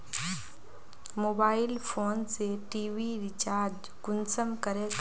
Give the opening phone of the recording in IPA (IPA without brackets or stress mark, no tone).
m